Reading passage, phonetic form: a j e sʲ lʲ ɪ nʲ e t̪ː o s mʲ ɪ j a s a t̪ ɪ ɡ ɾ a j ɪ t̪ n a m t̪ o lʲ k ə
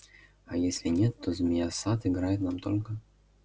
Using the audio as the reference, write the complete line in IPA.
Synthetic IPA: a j e sʲ lʲ ɪ nʲ e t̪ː o z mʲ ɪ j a s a t̪ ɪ ɡ ɾ a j ɪ t̪ n a m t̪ o lʲ k ə